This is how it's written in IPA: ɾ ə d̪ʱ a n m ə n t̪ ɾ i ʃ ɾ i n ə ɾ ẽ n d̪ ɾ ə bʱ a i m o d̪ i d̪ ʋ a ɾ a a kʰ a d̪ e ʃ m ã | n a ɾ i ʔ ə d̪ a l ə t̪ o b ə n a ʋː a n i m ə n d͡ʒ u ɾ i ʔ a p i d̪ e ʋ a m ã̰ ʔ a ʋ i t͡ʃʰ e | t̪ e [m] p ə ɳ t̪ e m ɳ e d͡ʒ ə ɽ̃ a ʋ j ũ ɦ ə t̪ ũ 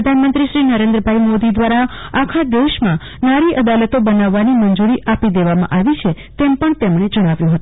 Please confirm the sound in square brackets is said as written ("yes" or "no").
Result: yes